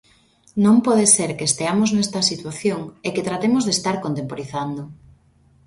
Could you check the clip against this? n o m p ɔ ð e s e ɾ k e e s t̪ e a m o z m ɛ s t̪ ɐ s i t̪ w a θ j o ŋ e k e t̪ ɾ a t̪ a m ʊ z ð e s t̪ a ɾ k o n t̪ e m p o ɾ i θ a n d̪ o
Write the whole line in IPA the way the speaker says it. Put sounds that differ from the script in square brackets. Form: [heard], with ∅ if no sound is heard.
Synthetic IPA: n [õ] m p ɔ ð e s e ɾ k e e s t̪ e a m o z [n] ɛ s t̪ ɐ s i t̪ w a θ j o ŋ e k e t̪ ɾ a t̪ [e] m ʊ z ð e s t̪ a ɾ k o n t̪ e m p o ɾ i θ a n d̪ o